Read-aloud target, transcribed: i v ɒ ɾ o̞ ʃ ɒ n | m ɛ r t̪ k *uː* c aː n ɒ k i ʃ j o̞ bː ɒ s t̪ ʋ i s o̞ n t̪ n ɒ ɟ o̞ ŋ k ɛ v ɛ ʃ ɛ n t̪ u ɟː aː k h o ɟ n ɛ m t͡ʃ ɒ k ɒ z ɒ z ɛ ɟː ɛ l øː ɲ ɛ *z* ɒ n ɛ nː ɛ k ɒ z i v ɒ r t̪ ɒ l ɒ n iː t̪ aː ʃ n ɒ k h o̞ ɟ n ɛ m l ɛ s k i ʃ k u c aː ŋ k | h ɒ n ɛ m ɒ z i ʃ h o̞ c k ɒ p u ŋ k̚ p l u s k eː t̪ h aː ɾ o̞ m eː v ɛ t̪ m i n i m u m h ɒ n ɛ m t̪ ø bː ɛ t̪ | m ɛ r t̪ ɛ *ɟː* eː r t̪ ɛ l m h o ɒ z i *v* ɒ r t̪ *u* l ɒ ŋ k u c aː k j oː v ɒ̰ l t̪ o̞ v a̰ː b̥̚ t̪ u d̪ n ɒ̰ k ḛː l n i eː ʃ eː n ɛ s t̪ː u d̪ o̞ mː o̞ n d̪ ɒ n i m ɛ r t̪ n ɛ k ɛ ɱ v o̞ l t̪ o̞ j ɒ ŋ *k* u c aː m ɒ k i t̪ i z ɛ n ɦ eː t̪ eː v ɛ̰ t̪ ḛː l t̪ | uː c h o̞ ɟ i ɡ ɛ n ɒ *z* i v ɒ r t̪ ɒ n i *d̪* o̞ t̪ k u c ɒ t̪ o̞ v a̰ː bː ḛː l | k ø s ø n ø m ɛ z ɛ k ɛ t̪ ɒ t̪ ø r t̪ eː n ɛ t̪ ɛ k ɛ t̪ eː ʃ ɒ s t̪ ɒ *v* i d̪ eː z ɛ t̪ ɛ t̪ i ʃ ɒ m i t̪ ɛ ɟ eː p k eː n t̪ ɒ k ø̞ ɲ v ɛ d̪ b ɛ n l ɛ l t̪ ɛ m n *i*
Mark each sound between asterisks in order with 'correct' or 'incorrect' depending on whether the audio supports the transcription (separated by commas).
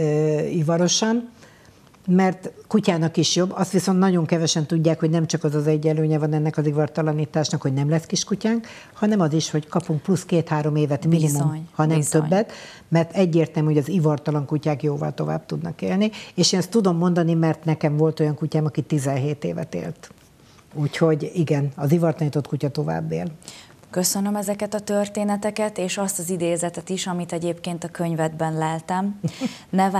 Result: incorrect, incorrect, correct, correct, incorrect, correct, correct, incorrect, incorrect, incorrect